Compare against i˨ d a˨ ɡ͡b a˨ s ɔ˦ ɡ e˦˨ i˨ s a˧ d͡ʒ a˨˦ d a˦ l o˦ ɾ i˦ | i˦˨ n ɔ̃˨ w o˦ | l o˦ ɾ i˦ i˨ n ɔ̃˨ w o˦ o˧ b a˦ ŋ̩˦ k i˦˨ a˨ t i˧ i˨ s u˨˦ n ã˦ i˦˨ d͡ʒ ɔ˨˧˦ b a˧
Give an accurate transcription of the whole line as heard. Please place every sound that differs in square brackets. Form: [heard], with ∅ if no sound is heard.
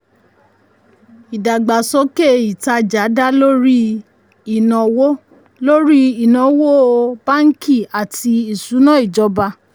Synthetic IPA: i˨ d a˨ ɡ͡b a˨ s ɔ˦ [k] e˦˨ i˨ [t] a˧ d͡ʒ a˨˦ d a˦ l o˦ ɾ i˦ | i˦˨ n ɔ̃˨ w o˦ | l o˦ ɾ i˦ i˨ n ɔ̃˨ w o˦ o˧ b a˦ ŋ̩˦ k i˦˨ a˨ t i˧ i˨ s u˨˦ n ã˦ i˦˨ d͡ʒ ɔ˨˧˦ b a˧